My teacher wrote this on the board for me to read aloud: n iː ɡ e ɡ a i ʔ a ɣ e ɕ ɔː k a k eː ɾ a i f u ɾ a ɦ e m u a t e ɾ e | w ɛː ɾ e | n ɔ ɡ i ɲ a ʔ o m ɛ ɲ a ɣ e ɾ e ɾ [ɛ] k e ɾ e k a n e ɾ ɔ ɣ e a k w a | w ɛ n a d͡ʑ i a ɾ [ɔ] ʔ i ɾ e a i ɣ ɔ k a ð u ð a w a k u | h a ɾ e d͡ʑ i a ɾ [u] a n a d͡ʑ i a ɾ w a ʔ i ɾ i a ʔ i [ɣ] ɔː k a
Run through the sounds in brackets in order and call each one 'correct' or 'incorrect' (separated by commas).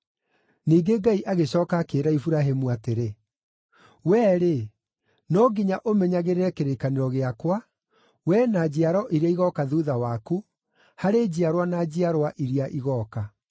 correct, correct, incorrect, correct